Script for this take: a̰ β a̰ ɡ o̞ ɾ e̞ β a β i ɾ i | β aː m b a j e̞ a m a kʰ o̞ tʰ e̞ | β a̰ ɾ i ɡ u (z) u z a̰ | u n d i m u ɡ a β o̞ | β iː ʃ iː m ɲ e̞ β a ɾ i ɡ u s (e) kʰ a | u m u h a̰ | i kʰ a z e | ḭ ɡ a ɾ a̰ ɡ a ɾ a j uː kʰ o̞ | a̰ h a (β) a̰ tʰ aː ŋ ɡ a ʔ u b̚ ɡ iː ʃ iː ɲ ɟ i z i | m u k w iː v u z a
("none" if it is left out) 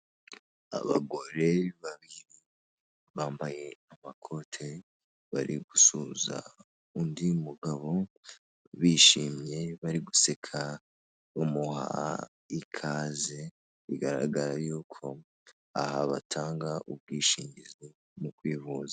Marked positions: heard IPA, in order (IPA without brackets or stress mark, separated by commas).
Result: s, e, β